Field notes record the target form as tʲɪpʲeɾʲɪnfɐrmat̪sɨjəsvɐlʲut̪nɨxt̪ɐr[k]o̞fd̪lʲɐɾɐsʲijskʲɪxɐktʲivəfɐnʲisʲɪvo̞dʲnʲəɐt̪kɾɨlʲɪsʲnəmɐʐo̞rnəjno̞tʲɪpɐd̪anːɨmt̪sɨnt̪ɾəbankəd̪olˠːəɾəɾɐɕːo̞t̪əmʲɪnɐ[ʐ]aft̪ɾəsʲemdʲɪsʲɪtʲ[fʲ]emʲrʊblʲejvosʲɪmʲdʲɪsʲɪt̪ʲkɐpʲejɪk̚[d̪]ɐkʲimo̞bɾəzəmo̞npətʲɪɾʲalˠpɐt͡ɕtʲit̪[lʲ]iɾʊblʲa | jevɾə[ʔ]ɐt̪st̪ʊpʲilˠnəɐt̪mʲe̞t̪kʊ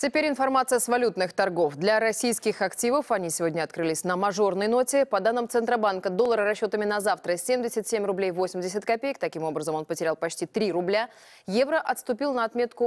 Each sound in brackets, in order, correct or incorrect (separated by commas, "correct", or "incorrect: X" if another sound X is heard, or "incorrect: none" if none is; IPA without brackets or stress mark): incorrect: ɡ, incorrect: z, incorrect: sʲ, incorrect: t̪, incorrect: ɾʲ, correct